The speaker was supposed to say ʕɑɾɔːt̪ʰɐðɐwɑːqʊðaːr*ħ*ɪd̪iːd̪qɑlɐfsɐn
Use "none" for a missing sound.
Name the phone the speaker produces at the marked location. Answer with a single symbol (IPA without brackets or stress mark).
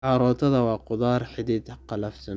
ħ